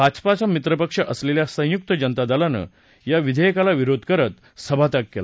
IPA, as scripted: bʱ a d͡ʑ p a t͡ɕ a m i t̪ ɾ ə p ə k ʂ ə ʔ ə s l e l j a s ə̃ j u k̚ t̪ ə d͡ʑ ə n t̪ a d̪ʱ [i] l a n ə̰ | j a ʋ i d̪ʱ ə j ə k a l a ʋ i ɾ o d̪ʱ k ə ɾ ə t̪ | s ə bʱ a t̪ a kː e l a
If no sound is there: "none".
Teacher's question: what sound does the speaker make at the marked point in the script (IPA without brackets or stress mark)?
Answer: a